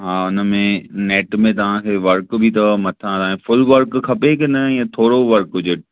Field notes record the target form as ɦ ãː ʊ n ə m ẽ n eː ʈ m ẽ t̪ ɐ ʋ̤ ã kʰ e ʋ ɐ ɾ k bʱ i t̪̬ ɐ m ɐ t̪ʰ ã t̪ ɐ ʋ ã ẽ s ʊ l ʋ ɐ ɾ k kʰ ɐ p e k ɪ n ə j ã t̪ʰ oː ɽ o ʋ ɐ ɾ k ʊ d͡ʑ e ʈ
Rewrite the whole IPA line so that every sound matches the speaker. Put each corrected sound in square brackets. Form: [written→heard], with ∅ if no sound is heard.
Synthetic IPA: ɦ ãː ʊ n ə m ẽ n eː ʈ m ẽ t̪ ɐ ʋ̤ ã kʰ e ʋ ɐ ɾ k bʱ i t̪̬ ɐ m ɐ t̪ʰ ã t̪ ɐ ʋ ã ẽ [s→f] ʊ l ʋ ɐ ɾ k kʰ ɐ p e k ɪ n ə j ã t̪ʰ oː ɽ o ʋ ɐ ɾ k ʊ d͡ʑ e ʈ